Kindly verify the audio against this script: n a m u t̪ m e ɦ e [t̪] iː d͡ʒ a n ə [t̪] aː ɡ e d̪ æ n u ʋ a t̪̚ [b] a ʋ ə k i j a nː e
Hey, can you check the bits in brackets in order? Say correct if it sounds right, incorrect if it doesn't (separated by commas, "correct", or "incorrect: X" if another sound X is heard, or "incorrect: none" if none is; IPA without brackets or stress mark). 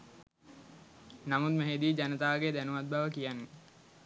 incorrect: d̪, correct, correct